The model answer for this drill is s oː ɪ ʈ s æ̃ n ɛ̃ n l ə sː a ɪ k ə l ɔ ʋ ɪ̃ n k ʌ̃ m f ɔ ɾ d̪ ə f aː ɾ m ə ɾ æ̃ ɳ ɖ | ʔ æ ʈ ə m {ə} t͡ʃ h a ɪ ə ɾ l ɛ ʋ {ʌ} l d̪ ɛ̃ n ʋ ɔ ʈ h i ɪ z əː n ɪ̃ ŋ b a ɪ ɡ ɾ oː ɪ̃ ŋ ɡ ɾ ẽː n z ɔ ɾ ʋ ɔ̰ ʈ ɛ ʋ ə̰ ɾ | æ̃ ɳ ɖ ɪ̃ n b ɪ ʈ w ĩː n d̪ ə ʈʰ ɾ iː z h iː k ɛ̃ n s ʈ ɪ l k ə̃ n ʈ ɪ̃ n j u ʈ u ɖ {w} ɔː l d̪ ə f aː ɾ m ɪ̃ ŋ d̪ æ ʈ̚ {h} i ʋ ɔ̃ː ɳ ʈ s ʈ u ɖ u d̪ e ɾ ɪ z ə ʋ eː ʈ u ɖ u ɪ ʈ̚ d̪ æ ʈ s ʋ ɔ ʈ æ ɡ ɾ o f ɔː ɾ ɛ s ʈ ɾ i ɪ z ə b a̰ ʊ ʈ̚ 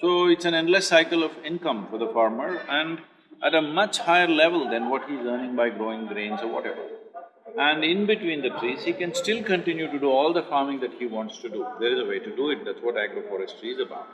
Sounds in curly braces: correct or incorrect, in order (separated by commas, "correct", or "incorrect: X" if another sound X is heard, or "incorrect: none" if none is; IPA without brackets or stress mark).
incorrect: ʌ, incorrect: ə, incorrect: u, correct